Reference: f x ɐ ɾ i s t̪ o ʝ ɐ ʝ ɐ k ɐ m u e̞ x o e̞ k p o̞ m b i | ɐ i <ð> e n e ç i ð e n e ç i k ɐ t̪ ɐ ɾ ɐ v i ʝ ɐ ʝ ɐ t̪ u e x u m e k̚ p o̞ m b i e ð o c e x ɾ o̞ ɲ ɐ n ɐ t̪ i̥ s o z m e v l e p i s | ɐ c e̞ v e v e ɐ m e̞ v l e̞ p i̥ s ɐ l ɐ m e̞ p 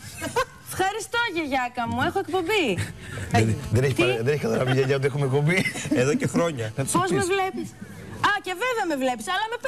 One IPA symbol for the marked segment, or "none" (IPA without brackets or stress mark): ð